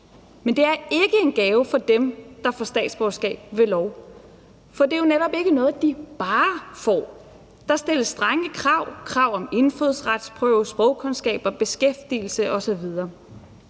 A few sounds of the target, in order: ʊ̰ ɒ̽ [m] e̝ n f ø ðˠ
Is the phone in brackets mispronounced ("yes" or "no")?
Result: no